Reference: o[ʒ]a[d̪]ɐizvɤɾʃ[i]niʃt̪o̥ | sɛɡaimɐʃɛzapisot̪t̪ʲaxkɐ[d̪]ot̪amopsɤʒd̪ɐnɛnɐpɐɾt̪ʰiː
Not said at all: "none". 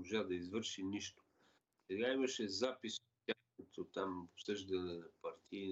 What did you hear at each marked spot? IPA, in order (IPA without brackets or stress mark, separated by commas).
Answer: ʒ, d̪, i, t̪